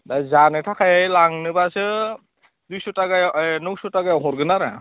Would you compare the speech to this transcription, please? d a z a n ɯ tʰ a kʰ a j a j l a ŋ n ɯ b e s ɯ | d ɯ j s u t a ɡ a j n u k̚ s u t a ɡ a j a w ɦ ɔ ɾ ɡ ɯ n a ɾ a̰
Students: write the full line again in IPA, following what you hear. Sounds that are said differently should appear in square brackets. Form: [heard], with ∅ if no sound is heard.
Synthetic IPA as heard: d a z a n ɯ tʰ a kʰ a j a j l a ŋ n ɯ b [a] s ɯ | d [u] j s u t a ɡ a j n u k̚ s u t a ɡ a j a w ɦ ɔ ɾ ɡ ɯ n a ɾ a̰